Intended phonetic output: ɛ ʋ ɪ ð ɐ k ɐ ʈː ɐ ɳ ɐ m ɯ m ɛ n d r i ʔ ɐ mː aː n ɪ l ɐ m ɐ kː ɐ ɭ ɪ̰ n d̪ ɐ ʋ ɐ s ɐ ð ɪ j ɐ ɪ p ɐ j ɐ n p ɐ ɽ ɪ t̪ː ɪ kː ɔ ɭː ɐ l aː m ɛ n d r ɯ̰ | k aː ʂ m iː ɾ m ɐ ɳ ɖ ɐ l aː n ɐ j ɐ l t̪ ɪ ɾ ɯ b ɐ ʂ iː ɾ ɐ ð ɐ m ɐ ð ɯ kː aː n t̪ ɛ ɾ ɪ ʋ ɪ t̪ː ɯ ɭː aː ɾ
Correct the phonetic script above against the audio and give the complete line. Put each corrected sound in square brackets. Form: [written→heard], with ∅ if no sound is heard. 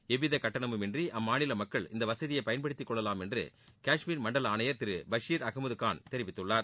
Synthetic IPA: ɛ ʋ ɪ ð ɐ k ɐ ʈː ɐ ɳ ɐ m ɯ m ɛ n d r i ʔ ɐ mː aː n ɪ l ɐ m ɐ kː ɐ ɭ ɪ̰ n d̪ ɐ ʋ ɐ s ɐ ð ɪ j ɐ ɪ p ɐ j ɐ n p ɐ ɽ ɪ t̪ː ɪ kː ɔ ɭː ɐ l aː m ɛ n d r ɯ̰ | k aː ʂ m iː ɾ m ɐ ɳ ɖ ɐ l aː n ɐ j ɐ [l→ɾ] t̪ ɪ ɾ ɯ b ɐ ʂ iː ɾ ɐ [ð→ɣ] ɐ m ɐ ð ɯ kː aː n t̪ ɛ ɾ ɪ ʋ ɪ t̪ː ɯ ɭː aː ɾ